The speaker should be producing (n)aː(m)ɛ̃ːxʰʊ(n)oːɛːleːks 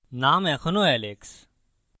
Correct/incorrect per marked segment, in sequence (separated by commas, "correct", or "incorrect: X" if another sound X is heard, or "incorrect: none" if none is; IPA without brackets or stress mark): correct, correct, correct